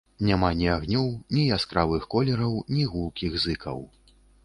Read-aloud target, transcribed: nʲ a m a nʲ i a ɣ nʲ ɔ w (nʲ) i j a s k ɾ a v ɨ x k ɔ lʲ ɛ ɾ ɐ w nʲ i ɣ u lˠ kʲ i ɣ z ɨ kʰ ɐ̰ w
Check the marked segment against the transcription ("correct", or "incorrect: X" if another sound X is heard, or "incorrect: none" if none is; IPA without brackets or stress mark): correct